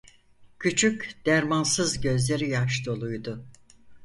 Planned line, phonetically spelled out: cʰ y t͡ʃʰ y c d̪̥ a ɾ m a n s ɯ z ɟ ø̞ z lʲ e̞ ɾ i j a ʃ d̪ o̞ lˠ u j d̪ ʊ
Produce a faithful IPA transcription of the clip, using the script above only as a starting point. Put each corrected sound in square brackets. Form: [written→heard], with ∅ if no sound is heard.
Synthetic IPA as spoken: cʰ y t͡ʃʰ y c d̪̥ [a→æ] ɾ m a n s ɯ z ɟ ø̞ z lʲ e̞ ɾ i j a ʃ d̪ o̞ lˠ u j d̪ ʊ